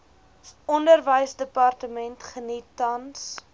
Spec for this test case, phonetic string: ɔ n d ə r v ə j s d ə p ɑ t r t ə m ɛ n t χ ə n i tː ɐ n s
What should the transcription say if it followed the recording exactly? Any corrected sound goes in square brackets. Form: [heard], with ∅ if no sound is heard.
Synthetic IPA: ɔ n d ə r v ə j s d ə p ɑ [∅] r t ə m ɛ n t χ ə n i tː ɐ n s